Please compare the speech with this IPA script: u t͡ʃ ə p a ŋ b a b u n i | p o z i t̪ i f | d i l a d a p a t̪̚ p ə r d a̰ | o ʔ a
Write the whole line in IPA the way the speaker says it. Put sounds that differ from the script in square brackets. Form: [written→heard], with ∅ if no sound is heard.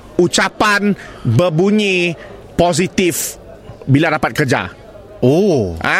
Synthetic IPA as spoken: u t͡ʃ [ə→a] p a [ŋ→n] b [a→ə] b u [n→ɲ] i | p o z i t̪ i f | [d→b] i l a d a p a t̪̚ [p→k] ə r [d→d͡ʒ] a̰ | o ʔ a